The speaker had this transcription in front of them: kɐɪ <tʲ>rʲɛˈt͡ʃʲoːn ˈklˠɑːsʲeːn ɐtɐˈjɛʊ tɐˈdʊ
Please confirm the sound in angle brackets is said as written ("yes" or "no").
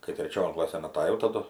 yes